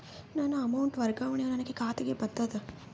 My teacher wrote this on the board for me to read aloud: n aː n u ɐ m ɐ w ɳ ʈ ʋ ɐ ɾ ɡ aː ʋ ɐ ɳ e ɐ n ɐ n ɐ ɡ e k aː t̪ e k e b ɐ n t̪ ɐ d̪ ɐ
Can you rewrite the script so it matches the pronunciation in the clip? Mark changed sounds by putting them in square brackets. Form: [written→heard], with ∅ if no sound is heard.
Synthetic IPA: n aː n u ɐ m ɐ w ɳ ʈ ʋ ɐ ɾ ɡ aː ʋ ɐ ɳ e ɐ n ɐ n ɐ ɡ e k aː t̪ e [k→ɡ] e b ɐ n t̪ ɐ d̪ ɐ

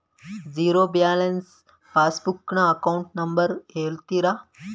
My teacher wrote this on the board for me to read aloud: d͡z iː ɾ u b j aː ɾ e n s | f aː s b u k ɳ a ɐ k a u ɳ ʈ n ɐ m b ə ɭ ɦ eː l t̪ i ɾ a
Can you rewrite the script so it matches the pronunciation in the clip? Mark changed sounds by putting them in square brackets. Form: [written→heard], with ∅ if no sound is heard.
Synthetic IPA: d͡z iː ɾ [u→o] b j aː [ɾ→l] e n s | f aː s b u k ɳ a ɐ k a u ɳ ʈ n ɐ m b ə [ɭ→ɾ] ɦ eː l t̪ i ɾ a

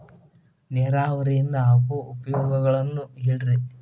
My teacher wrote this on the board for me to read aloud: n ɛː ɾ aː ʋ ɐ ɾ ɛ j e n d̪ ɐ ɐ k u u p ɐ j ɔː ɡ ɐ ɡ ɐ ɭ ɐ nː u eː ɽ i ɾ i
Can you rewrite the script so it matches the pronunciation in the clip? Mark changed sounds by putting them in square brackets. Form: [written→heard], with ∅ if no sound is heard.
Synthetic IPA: n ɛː ɾ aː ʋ ɐ ɾ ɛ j [e→i] n d̪ ɐ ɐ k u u p ɐ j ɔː ɡ ɐ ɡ ɐ ɭ ɐ nː u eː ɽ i ɾ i

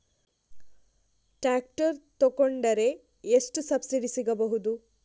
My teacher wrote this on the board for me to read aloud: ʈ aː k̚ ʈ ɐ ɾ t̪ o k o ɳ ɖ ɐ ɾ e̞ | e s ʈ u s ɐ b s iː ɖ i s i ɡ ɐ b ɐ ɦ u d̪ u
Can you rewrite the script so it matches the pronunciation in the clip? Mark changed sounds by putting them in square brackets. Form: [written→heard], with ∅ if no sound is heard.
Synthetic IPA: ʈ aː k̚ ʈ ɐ ɾ t̪ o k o ɳ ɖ ɐ ɾ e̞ | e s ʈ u s ɐ b s [iː→i] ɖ i s i ɡ ɐ b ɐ ɦ u d̪ u

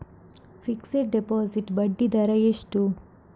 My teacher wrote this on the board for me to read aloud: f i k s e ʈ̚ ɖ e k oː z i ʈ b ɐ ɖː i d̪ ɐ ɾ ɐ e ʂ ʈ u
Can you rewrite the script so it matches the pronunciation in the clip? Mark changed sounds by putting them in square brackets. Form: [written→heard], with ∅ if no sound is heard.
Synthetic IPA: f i k s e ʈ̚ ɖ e [k→p] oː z i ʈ b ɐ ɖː i d̪ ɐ ɾ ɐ e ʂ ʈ u

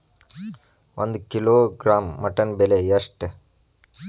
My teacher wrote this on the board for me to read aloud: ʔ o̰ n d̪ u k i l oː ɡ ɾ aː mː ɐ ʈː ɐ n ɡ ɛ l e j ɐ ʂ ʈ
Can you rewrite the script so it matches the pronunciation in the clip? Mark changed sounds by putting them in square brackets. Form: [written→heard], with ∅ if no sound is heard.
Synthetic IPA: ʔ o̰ n d̪ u k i l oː ɡ ɾ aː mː ɐ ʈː ɐ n [ɡ→b] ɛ l e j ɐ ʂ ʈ

